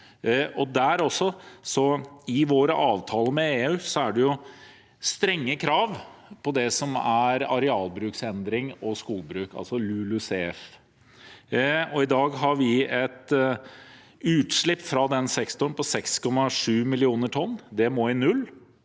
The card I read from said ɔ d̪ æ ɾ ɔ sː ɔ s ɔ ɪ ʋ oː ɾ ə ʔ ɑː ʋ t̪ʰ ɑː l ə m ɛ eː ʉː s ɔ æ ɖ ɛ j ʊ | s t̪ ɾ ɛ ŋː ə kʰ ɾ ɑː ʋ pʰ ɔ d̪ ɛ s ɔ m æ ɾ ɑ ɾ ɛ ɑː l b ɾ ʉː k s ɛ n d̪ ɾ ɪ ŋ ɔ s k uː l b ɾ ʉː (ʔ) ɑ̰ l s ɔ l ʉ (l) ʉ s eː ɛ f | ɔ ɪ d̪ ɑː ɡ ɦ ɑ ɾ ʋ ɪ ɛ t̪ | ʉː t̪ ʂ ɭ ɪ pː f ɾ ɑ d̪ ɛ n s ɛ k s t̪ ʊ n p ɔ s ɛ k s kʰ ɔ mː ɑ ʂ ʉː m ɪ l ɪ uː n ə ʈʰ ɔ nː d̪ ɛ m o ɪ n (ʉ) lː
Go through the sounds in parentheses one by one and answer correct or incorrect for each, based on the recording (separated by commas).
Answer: incorrect, correct, correct